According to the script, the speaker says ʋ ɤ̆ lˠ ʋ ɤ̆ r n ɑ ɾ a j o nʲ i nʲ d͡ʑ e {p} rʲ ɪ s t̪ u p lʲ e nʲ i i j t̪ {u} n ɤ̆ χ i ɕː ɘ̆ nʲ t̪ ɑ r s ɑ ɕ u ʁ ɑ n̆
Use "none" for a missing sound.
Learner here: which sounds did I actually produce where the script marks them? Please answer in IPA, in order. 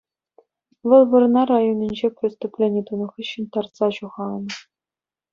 p, u

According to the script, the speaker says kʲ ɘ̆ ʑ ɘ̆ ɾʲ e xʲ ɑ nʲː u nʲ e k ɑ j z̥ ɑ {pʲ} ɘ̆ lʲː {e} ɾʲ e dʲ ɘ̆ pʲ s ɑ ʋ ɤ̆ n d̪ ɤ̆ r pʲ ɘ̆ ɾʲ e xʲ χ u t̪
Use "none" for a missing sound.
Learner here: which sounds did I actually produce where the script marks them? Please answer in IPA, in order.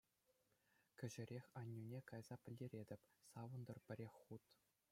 pʲ, e

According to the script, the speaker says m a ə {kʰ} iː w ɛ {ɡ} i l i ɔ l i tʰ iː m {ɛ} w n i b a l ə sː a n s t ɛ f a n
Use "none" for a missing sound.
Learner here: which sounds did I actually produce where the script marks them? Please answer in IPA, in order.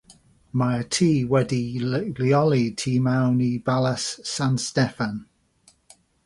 tʰ, d, a

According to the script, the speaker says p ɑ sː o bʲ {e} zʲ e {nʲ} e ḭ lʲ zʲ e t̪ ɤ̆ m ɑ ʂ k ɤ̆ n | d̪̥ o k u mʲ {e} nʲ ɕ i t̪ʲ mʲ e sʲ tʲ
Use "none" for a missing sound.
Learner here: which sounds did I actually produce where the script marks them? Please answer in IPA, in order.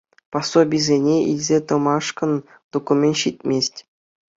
i, nʲ, e

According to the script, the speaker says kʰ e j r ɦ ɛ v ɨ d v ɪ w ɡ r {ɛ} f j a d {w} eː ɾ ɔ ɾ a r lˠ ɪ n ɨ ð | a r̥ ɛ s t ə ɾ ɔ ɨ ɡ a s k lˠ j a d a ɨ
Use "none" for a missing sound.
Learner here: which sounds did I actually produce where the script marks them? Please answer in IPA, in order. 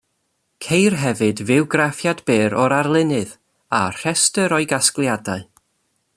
a, b

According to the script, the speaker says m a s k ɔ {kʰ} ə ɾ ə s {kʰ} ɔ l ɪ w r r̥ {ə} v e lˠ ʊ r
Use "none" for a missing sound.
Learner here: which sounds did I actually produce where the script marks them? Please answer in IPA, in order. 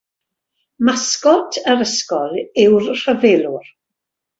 tʰ, k, ə

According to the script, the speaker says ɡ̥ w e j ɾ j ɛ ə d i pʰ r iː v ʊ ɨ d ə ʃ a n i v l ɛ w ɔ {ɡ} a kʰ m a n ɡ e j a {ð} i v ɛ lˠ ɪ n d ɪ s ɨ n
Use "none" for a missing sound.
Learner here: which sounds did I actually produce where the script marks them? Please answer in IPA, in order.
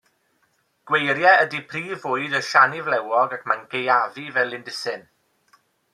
ɡ, v

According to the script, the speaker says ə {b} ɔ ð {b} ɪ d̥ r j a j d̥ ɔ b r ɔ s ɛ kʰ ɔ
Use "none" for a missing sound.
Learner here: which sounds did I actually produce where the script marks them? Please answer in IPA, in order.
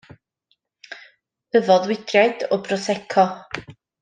v, w

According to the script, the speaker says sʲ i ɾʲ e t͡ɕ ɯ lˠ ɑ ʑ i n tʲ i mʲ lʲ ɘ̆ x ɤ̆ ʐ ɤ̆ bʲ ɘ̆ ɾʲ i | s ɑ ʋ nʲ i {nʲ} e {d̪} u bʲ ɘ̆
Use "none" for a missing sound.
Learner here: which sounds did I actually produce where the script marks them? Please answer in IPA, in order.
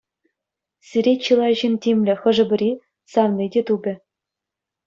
dʲ, t̪

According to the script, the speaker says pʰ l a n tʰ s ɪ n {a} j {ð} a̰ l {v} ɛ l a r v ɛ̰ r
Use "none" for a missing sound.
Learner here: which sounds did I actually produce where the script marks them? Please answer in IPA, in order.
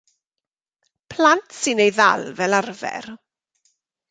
e, ð, v

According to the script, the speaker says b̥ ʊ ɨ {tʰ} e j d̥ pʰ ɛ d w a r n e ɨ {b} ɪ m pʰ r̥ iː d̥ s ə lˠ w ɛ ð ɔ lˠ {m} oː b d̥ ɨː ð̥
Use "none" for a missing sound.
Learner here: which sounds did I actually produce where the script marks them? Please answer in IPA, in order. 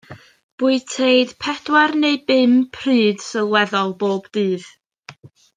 tʰ, b, b

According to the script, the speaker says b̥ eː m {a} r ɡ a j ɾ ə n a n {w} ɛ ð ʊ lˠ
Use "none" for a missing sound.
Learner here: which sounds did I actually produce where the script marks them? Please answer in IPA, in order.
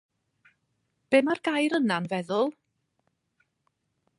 a, v

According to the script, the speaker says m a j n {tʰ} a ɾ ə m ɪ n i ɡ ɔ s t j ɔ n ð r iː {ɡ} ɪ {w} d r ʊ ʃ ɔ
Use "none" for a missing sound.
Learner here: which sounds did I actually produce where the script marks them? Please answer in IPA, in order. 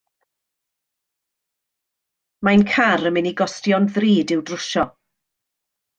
kʰ, d, w

